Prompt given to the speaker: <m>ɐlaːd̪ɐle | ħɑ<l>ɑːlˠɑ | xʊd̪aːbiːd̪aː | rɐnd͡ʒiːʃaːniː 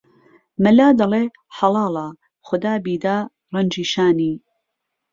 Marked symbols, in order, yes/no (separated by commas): yes, yes